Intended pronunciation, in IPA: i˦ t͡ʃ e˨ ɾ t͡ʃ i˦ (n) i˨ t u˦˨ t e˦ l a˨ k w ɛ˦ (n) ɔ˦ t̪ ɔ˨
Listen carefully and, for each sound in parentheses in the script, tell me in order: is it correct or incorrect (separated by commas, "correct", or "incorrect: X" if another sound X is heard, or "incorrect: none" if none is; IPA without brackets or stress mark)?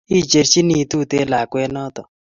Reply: correct, correct